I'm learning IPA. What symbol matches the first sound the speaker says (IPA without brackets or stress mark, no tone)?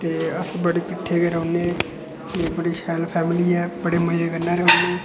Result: t̪